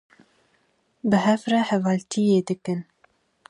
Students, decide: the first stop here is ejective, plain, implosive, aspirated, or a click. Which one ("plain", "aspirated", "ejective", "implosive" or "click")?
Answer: plain